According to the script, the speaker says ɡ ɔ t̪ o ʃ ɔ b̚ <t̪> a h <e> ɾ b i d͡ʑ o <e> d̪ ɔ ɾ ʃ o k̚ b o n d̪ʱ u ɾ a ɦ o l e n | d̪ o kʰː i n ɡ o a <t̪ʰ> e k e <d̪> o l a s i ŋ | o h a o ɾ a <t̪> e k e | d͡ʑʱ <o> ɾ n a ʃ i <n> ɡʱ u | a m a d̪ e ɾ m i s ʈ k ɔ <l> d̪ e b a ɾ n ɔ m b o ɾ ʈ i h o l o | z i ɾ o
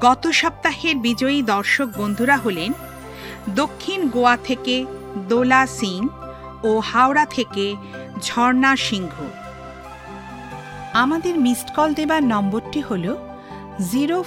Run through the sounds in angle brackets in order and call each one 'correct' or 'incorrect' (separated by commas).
correct, correct, incorrect, correct, correct, incorrect, incorrect, incorrect, correct